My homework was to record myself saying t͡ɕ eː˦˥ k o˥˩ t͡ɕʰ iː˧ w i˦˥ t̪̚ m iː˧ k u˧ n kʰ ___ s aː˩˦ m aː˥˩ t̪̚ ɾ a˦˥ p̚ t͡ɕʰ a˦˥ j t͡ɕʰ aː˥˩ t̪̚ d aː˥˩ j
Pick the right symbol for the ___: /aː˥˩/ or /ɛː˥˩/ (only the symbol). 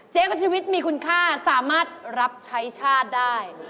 aː˥˩